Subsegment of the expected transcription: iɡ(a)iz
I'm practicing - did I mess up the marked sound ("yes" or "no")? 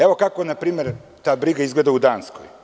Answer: no